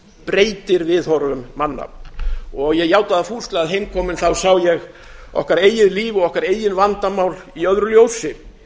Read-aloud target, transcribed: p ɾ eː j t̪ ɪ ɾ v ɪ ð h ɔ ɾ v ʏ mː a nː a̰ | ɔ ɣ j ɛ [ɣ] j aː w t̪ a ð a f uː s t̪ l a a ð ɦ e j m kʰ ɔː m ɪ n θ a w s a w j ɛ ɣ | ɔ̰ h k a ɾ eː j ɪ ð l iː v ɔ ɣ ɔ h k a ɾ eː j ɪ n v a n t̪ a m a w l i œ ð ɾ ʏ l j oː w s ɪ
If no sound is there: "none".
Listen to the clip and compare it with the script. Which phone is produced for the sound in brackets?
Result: ɣ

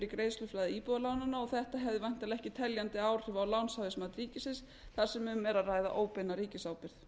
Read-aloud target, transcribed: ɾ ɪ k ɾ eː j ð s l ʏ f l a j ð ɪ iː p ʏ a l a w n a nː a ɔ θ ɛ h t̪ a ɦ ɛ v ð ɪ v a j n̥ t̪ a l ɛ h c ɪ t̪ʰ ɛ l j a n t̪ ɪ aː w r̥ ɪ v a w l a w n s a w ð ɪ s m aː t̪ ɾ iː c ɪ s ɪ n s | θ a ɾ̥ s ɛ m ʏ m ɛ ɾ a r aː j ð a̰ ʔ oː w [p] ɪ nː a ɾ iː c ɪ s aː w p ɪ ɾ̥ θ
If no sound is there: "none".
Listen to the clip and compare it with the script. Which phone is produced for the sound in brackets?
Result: p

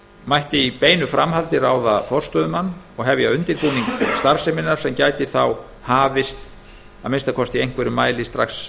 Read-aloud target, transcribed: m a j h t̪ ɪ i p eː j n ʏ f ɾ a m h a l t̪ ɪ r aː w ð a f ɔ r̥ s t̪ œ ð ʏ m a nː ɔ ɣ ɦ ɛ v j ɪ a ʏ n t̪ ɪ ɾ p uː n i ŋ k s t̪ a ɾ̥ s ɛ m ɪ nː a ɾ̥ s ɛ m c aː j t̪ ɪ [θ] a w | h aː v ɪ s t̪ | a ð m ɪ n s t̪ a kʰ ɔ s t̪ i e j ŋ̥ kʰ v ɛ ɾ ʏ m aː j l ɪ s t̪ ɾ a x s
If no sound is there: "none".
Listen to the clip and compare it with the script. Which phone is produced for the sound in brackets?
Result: θ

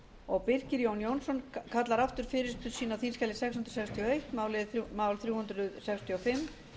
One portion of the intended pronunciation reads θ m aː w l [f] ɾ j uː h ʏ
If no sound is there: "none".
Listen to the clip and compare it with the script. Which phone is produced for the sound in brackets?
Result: θ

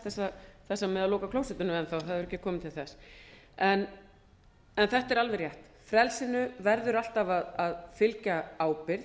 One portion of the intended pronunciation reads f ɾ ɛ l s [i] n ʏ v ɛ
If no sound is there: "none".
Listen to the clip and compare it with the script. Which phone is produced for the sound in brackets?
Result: ɪ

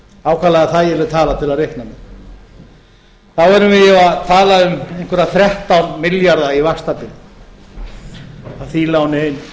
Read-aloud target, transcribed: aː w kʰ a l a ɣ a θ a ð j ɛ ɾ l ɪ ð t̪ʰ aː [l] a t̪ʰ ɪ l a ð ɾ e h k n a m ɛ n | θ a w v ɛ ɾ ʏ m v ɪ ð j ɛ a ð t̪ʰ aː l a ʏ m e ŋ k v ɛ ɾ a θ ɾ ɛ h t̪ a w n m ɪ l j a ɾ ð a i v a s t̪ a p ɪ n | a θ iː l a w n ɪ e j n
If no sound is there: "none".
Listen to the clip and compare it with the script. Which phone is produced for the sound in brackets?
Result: l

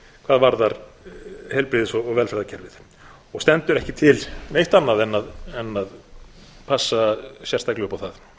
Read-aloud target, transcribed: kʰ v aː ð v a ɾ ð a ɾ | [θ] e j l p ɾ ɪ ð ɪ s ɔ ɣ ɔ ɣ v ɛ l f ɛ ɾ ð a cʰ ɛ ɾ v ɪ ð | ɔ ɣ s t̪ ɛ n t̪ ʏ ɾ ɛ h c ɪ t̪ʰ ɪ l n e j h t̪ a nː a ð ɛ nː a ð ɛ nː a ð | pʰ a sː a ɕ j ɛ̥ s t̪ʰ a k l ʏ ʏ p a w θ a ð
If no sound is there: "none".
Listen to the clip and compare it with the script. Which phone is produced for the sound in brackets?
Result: h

